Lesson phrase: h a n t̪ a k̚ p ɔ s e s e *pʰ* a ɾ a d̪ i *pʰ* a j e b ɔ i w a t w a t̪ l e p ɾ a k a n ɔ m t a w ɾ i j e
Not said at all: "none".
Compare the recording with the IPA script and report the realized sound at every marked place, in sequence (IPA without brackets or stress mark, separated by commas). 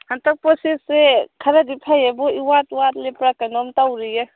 kʰ, pʰ